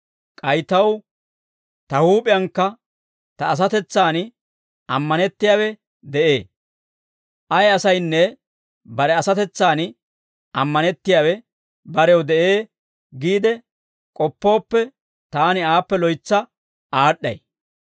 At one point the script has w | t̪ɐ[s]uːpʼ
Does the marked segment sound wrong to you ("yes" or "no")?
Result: yes